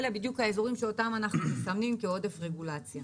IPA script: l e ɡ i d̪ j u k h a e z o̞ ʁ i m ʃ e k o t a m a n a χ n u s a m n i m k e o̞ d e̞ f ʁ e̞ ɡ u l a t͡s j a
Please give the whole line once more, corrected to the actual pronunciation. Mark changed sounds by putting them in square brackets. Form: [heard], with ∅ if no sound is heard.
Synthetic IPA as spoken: l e [b] i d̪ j u k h a e z o̞ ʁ i m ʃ e [∅] o t a m a n a χ n u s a m n i m k e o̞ d e̞ f ʁ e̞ ɡ u l a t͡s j a

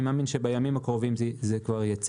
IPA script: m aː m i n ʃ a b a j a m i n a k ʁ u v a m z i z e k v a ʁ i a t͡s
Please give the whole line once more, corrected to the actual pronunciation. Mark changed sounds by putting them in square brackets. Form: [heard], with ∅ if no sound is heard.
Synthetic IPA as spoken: m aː m i n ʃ [e] b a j a m i [m] a k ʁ [o] v [i] m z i z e k v a ʁ [j] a t͡s

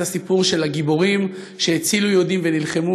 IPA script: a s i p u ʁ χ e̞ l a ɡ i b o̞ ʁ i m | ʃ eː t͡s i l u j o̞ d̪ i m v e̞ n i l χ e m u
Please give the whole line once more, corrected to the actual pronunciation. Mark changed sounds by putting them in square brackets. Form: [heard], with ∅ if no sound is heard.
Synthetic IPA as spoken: a s i p u ʁ [ʃ] e̞ l a ɡ i b o̞ ʁ i m | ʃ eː t͡s i l u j o̞ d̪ i m v e̞ n i l χ e m u

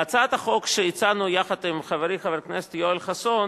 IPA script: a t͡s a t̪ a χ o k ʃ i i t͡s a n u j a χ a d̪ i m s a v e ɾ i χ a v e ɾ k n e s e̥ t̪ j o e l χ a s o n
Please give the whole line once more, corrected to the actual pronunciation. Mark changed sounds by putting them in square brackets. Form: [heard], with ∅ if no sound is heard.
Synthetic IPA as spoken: a t͡s a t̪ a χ o k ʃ [e] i t͡s a n u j a χ a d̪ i m [χ] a v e ɾ i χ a v e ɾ k n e s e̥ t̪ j o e l χ a s o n

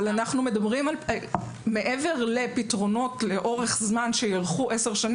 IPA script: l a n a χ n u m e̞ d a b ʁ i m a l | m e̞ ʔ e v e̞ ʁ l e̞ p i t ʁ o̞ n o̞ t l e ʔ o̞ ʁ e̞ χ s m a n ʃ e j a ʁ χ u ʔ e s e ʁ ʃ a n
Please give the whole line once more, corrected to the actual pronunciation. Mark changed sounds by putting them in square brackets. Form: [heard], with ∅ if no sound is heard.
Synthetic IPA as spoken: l a n a χ n u m e̞ d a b ʁ i m a l | m e̞ ʔ e v e̞ ʁ l e̞ p i t ʁ o̞ n o̞ t l e ʔ o̞ ʁ e̞ χ [z] m a n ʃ e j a ʁ χ u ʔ e s e ʁ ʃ a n

